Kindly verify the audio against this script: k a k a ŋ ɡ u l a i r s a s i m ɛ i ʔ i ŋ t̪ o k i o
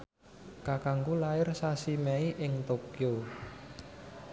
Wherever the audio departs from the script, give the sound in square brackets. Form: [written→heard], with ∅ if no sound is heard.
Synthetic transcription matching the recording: k a k a ŋ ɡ u l a [i→ɪ] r s a s i m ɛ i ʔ [i→ɪ] ŋ t̪ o k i o